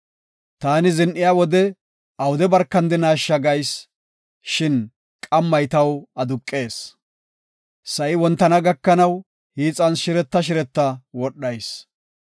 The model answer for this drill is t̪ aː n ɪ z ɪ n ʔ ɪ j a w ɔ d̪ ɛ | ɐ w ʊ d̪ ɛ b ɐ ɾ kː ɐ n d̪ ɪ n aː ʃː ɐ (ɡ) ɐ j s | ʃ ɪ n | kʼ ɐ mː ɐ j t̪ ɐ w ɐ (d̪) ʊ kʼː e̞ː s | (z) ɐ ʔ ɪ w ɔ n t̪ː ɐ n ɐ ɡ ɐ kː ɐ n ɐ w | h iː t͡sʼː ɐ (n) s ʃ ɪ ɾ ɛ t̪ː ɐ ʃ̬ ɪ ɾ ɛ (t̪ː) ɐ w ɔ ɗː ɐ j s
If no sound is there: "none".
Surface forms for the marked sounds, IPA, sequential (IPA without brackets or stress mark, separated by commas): ɡ, d̪, s, n, t̪ː